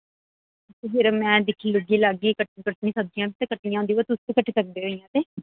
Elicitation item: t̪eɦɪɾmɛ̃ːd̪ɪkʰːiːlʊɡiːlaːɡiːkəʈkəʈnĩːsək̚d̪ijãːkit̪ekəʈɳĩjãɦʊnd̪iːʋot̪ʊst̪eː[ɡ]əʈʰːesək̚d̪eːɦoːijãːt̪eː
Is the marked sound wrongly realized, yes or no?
yes